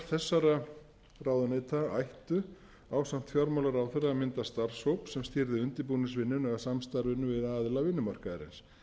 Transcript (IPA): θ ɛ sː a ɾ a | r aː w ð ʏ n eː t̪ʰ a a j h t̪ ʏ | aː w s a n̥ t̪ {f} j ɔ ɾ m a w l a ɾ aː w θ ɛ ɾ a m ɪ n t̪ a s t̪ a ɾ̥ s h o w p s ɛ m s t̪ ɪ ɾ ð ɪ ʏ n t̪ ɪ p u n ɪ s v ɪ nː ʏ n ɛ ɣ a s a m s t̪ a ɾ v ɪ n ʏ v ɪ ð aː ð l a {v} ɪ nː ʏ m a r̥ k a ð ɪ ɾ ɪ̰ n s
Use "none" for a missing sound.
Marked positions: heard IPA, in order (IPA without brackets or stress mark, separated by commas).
f, v